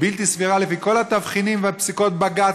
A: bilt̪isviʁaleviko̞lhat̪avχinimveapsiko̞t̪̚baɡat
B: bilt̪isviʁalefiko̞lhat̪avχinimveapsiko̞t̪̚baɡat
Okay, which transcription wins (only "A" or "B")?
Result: B